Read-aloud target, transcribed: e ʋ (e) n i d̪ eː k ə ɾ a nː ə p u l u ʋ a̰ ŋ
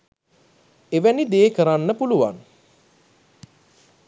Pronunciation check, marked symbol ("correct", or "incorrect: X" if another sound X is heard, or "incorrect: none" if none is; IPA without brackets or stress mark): incorrect: æ